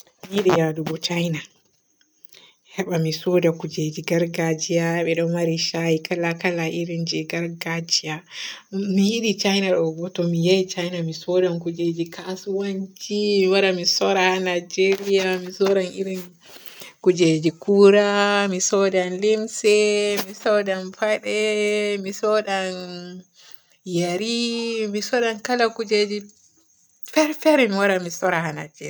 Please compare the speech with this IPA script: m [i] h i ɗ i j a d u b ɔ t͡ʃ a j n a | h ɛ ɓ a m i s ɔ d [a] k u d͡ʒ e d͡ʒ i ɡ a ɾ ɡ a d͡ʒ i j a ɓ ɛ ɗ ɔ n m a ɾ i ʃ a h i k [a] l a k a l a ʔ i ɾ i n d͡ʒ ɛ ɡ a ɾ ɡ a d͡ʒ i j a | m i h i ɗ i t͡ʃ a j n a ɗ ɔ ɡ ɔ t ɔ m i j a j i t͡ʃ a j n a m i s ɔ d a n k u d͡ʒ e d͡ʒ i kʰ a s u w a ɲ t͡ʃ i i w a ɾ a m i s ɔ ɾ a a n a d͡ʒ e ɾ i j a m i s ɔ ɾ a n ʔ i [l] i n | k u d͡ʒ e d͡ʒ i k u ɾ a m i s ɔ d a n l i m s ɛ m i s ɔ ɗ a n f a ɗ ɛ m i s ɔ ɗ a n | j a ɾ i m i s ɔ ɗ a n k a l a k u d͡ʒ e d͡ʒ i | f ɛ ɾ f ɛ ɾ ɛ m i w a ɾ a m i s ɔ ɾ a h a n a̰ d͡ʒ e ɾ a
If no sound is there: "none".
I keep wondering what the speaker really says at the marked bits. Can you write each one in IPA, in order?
i, a, a, ɾ

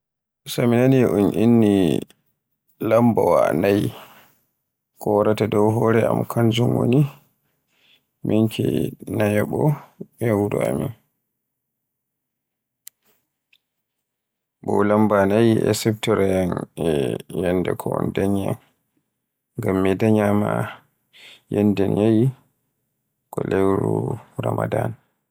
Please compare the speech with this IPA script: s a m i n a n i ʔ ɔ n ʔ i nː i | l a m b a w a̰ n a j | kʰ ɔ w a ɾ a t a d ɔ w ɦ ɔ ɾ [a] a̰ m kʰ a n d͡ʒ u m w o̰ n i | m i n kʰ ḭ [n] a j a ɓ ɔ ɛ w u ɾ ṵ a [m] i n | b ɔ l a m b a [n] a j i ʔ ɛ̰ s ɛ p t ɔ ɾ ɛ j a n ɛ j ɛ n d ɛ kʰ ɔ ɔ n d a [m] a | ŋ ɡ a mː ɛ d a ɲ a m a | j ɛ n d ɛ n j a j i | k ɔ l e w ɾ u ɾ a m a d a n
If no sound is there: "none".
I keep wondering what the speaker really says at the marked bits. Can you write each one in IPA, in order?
ɛ, n, m, n, ɲ

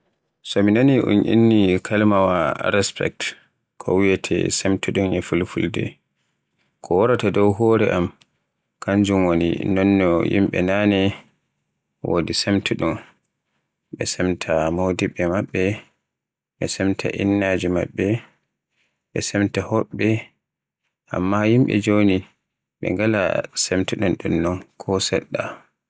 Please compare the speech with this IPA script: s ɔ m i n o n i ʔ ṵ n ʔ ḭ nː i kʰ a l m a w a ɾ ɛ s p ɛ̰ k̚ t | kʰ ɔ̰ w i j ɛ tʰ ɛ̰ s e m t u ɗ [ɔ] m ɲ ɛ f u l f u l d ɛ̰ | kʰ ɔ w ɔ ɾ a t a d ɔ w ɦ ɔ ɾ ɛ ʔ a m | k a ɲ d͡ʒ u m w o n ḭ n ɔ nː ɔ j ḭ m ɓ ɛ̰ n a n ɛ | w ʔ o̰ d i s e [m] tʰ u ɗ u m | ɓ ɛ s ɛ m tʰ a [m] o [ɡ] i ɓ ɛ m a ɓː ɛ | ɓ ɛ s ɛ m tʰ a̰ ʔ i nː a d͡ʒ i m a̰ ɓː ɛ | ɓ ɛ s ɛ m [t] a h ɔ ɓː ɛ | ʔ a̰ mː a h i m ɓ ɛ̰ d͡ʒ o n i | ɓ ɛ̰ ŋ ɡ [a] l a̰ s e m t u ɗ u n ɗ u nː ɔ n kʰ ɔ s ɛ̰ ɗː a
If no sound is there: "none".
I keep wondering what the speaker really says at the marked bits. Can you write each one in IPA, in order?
u, m, m, d, t, a

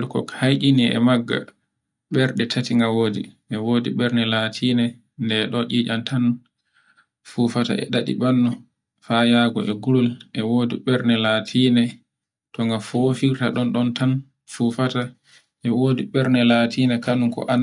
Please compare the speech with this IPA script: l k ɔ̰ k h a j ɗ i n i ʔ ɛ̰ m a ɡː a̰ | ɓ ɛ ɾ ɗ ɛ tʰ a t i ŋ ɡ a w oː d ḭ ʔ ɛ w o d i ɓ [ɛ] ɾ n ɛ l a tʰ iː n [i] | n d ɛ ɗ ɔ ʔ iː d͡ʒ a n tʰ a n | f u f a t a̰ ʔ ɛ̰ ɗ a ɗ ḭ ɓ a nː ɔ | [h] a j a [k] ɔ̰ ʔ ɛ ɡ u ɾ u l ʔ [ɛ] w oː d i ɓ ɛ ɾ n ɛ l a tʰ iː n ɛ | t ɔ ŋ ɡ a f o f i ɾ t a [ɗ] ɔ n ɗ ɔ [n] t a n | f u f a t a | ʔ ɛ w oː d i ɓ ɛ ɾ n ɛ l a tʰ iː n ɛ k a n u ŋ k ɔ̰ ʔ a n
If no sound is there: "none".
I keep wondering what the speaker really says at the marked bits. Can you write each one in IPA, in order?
ɛ, ɛ, f, ɡ, ɛ, ɗ, n

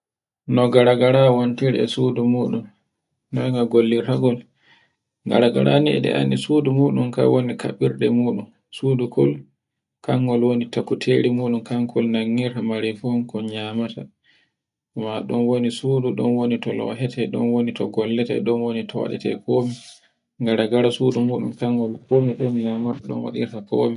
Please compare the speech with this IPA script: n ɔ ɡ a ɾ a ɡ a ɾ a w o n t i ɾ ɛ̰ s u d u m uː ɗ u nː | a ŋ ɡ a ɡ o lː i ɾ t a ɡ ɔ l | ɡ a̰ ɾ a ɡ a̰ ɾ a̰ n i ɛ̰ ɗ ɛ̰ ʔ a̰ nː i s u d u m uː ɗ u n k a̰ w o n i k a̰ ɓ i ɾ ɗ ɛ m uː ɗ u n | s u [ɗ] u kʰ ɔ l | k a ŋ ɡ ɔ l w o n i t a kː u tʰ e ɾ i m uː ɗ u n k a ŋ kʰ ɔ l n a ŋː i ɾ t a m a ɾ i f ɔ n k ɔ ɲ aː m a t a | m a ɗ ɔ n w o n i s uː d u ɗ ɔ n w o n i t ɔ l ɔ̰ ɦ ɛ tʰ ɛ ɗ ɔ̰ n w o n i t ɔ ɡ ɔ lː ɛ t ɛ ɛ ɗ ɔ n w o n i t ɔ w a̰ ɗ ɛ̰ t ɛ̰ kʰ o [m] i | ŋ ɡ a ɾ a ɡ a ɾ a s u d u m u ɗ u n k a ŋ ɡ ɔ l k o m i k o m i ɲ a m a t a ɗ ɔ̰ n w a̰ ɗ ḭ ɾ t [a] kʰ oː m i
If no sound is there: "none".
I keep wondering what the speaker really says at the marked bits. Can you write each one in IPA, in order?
d, m, a

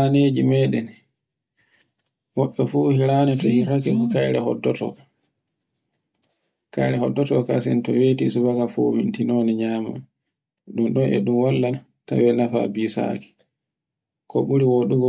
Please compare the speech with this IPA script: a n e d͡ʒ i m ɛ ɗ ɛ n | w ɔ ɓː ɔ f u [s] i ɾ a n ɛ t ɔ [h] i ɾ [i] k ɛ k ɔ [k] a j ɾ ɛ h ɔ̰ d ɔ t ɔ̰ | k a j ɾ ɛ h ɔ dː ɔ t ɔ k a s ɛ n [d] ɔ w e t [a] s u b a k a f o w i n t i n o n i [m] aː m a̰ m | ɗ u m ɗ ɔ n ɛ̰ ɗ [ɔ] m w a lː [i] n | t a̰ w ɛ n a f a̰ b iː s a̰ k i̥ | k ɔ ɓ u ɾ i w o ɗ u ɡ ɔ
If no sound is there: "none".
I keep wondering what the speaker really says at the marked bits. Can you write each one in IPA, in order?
h, h, a, k, t, i, ɲ, u, a

